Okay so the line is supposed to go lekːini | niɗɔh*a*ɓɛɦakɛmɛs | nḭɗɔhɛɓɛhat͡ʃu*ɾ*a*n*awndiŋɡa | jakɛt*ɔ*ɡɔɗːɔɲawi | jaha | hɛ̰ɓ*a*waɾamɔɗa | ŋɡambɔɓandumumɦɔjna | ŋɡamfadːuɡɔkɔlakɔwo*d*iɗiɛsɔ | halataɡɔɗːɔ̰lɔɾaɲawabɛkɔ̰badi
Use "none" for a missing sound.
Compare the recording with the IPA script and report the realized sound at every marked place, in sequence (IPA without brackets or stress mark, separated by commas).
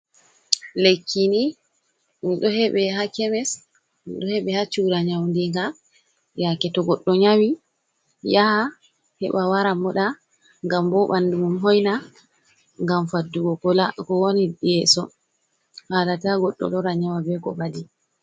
ɛ, ɾ, ɲ, ɔ, a, n